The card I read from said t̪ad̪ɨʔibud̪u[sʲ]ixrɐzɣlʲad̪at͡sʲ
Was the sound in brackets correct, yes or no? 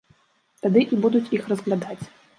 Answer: no